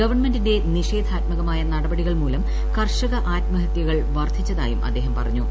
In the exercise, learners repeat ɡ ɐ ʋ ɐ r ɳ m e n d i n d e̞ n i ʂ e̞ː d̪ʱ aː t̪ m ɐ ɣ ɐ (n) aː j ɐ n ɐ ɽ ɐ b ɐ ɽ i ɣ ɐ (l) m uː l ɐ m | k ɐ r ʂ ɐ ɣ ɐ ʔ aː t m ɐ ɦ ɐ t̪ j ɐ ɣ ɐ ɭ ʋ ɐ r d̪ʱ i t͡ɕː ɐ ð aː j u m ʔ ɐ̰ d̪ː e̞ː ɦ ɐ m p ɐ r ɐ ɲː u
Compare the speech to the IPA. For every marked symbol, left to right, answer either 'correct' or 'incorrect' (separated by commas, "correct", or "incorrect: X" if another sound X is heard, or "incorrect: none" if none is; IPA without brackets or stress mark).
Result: incorrect: m, incorrect: ɭ